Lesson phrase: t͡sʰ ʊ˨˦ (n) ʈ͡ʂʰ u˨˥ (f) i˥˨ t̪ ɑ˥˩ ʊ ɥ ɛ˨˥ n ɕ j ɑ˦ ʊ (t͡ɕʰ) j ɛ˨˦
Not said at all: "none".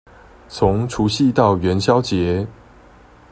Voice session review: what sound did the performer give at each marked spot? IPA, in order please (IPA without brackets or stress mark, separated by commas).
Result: ŋ, ɕ, t͡ɕ